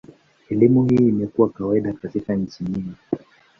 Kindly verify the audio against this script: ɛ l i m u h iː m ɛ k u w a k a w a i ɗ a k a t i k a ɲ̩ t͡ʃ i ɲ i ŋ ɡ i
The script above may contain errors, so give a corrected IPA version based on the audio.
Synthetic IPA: ɛ l i m u h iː m ɛ k u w a k a w a i ɗ a k a t i k a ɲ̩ t͡ʃ i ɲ i ŋ ɡ i